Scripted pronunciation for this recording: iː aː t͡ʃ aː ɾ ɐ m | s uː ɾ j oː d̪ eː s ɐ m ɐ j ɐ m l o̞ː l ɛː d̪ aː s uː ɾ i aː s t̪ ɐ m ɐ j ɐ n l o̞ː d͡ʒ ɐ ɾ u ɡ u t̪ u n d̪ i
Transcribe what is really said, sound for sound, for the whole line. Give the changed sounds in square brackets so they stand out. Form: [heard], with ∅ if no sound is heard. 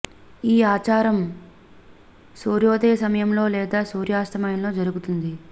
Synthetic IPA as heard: iː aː t͡ʃ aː ɾ ɐ m | s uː ɾ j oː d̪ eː s ɐ m ɐ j ɐ m l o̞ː l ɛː d̪ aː s uː ɾ [j] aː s t̪ ɐ m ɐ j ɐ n l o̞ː d͡ʒ ɐ ɾ u ɡ u t̪ u n d̪ i